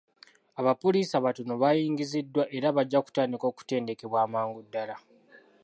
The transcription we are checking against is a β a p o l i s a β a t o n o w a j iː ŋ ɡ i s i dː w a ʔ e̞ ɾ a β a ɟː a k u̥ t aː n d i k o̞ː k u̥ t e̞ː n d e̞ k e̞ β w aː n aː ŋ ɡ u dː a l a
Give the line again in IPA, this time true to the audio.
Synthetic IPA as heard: a β a p o l i s a β a t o n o β a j iː ŋ ɡ i z i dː w a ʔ e̞ ɾ a β a ɟː a k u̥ t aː n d i k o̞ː k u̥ t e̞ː n d e̞ k e̞ β w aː m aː ŋ ɡ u dː a l a